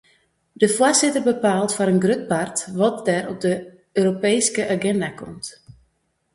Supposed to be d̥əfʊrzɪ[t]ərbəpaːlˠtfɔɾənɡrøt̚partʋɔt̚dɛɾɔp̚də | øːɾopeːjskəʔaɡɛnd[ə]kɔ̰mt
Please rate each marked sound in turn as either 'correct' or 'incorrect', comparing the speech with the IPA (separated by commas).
correct, incorrect